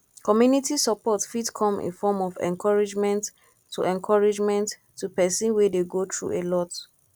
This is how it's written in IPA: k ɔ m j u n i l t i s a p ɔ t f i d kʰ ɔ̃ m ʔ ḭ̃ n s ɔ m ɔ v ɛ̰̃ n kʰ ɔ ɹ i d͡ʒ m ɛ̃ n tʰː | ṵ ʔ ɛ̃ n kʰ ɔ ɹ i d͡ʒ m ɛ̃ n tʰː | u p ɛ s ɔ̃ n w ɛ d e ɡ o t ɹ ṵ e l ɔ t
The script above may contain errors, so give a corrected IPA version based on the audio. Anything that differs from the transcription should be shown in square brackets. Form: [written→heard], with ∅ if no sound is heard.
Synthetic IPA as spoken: k ɔ m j u n i [l→∅] t i s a p ɔ t f i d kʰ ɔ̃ m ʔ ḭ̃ n [s→f] ɔ m ɔ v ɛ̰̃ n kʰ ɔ ɹ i d͡ʒ m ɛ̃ n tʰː | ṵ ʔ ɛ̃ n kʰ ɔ ɹ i d͡ʒ m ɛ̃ n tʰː | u p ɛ s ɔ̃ n w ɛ d e ɡ o t ɹ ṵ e l ɔ t